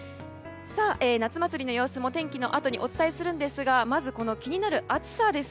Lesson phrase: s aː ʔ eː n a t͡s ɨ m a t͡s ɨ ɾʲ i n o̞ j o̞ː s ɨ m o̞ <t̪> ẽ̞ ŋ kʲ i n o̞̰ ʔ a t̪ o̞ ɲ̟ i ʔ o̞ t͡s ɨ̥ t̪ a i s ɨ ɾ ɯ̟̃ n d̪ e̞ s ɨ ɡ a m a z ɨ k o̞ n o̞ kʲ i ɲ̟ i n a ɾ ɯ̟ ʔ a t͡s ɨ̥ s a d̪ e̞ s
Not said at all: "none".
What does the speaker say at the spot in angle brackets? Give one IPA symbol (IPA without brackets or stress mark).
t̪